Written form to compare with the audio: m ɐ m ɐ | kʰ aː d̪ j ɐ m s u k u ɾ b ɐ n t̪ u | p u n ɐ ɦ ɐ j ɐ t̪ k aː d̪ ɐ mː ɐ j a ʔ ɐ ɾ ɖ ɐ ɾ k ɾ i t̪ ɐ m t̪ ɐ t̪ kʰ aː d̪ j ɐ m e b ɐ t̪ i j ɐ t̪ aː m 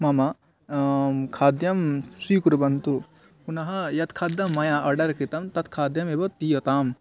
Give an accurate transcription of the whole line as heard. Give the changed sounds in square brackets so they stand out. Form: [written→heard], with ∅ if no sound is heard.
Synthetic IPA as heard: m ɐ m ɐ | kʰ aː d̪ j ɐ m s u k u ɾ b ɐ n t̪ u | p u n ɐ ɦ ɐ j ɐ t̪ [k→kʰ] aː d̪ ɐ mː ɐ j a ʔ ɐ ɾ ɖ ɐ ɾ k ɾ i t̪ ɐ m t̪ ɐ t̪ kʰ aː d̪ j ɐ m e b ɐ t̪ i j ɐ t̪ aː m